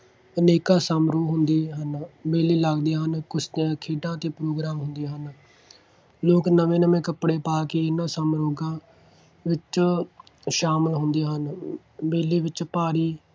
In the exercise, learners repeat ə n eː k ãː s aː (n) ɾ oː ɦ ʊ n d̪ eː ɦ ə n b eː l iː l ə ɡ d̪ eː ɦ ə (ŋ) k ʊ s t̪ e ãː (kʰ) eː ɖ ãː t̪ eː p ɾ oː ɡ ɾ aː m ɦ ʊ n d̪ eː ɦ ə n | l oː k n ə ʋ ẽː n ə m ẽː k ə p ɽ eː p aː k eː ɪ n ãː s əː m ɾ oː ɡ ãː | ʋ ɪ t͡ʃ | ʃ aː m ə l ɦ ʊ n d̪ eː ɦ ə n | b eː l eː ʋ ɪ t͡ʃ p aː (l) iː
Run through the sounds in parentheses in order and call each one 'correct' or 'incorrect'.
incorrect: m, incorrect: n, correct, incorrect: ɾ

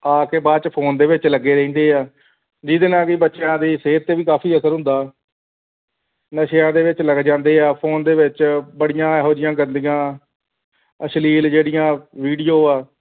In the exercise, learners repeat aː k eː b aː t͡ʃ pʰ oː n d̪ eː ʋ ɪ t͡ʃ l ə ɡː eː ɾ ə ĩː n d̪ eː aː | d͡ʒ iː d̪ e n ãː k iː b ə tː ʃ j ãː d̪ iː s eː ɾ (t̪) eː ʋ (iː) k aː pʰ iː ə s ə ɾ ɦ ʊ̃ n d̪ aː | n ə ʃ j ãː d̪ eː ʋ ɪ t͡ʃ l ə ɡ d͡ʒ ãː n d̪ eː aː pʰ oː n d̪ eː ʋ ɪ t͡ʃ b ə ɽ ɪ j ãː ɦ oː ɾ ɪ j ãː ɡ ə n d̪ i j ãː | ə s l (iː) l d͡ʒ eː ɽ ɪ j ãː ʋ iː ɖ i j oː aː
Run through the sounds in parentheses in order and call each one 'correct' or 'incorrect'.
correct, correct, correct

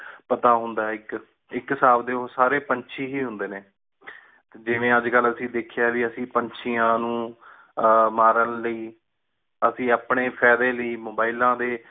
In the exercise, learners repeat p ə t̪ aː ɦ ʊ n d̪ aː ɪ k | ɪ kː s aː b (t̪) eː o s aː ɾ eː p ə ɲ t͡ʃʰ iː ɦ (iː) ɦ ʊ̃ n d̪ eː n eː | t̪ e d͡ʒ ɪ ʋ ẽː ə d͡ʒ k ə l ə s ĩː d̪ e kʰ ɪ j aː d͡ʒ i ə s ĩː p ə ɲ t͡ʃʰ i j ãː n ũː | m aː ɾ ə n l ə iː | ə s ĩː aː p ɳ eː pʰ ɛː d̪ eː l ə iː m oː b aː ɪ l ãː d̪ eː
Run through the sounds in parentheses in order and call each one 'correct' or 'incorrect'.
incorrect: d̪, correct

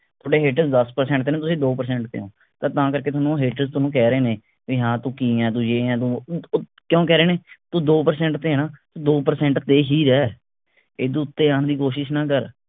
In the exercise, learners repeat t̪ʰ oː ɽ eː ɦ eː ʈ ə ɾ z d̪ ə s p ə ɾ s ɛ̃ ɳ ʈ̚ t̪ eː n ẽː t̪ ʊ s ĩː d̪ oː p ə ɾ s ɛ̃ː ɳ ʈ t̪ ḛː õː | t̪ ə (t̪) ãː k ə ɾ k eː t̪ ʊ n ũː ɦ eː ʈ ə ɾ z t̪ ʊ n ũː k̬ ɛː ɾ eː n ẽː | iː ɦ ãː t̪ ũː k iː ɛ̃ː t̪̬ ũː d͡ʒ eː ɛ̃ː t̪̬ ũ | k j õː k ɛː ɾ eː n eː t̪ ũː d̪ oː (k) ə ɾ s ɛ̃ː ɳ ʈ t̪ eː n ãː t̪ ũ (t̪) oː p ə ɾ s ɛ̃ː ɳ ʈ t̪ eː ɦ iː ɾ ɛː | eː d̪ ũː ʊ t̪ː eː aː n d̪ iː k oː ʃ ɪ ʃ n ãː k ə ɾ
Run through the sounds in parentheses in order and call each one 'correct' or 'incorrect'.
correct, incorrect: p, incorrect: d̪

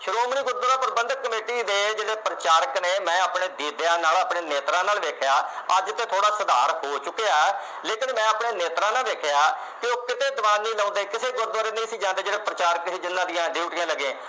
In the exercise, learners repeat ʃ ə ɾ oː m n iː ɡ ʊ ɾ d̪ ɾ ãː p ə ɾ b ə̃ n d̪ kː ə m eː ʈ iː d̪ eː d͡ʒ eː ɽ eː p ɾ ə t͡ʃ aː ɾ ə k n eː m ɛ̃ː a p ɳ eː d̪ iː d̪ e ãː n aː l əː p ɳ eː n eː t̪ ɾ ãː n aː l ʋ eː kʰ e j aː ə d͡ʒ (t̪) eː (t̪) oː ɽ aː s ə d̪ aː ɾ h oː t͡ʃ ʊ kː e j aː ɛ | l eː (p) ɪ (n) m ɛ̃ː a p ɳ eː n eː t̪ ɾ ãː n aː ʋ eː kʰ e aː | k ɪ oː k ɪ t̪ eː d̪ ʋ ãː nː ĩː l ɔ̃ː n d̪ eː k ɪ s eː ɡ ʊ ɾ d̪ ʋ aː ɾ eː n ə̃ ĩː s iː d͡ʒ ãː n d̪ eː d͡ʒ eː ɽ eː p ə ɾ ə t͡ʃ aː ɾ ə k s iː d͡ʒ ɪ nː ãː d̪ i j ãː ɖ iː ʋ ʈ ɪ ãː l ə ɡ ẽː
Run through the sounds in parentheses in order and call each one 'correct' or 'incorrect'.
correct, incorrect: t̪ʰ, incorrect: k, correct

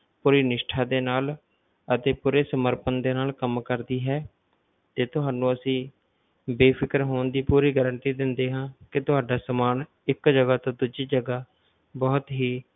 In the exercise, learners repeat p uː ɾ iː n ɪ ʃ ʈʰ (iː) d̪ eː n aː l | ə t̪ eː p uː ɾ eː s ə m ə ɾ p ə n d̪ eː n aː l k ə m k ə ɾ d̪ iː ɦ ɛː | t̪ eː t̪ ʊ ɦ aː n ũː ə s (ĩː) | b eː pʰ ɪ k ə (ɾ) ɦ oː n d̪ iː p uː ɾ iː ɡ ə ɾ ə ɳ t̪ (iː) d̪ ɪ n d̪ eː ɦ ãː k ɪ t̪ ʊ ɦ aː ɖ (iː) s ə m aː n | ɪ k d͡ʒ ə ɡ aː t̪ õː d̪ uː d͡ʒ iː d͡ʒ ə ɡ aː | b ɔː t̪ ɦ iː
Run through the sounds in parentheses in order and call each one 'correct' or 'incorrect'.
incorrect: aː, correct, correct, correct, incorrect: aː

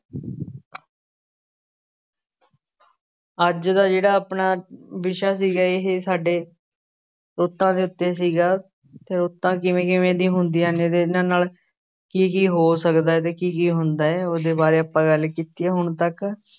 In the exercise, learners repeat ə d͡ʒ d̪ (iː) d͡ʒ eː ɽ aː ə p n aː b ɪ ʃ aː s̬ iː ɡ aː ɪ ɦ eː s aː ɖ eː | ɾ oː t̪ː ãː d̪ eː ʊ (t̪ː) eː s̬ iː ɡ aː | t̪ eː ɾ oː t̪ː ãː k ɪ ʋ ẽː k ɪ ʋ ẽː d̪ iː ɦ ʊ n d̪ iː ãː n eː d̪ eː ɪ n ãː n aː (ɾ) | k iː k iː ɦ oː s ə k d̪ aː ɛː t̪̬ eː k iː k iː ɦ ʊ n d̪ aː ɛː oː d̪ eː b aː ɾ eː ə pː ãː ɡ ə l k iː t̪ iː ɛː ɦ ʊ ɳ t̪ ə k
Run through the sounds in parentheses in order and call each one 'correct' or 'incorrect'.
incorrect: aː, correct, incorrect: l

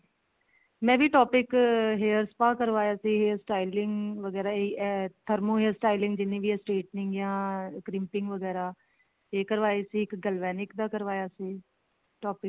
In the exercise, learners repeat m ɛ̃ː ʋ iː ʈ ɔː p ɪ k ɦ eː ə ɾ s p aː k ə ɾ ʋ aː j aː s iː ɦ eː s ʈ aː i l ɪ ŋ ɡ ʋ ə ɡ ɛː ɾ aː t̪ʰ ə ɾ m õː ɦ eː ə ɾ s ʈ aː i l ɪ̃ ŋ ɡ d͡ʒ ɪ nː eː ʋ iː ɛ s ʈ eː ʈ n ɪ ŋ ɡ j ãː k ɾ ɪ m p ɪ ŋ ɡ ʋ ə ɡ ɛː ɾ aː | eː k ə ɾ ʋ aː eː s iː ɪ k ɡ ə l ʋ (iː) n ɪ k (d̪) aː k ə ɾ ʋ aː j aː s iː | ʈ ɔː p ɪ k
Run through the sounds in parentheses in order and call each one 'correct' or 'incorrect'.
incorrect: ɛː, correct

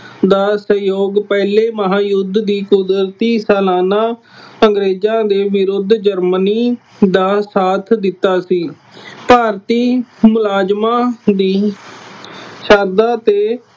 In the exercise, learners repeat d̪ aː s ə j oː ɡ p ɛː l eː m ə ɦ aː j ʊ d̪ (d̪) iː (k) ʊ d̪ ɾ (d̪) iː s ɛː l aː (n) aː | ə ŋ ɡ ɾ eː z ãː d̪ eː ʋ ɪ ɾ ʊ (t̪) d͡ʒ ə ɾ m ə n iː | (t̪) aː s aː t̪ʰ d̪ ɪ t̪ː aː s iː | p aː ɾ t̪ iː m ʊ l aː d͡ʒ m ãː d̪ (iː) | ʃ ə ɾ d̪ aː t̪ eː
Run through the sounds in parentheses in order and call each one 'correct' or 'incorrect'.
correct, correct, incorrect: t̪, correct, incorrect: d̪, incorrect: d̪, correct

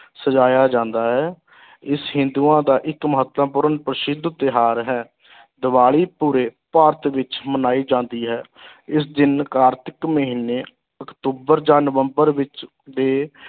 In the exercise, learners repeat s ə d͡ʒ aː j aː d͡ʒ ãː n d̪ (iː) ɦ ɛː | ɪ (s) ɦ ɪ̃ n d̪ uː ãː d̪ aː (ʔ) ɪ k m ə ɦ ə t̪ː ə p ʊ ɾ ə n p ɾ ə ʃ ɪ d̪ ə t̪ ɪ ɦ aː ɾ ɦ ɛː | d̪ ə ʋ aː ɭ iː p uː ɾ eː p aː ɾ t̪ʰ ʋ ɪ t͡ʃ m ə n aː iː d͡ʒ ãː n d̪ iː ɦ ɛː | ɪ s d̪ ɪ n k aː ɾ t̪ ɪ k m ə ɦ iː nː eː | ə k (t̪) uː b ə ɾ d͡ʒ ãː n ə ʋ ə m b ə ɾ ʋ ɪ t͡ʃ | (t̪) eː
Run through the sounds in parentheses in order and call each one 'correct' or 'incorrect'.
incorrect: aː, correct, correct, correct, incorrect: d̪

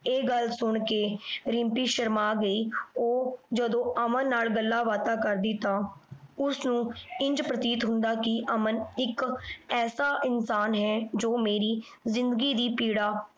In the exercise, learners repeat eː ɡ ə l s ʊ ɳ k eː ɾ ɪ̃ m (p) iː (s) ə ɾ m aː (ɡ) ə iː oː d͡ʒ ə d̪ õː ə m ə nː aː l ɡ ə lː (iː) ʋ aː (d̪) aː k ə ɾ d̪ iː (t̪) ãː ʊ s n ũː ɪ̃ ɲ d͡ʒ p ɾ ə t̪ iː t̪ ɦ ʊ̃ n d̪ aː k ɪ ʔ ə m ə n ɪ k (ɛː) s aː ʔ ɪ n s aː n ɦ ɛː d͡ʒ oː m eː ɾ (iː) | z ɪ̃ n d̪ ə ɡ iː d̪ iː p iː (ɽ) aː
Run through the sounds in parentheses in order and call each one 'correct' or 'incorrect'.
correct, incorrect: ʃ, correct, incorrect: aː, incorrect: t̪, correct, correct, correct, correct

